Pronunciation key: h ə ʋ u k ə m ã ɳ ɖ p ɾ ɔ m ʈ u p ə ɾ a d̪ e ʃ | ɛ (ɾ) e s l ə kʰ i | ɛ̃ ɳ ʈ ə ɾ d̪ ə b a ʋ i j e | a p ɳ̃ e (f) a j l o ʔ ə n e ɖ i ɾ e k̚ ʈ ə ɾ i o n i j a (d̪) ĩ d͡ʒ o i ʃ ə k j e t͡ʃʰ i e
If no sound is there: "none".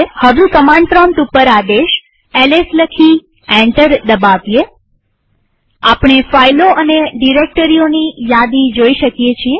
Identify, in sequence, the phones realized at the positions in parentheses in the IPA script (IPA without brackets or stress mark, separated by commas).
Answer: l, f, d̪